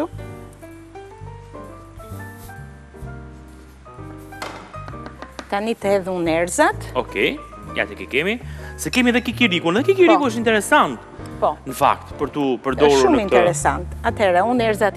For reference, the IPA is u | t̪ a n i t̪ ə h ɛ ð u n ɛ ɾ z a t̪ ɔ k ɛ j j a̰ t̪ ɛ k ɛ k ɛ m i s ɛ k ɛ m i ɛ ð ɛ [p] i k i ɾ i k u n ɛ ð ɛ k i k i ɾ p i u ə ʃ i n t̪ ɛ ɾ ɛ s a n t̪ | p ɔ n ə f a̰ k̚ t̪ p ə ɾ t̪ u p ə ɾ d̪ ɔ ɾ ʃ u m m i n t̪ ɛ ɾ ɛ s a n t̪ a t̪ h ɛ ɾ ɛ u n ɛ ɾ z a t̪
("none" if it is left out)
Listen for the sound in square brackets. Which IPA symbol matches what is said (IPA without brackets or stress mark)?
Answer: k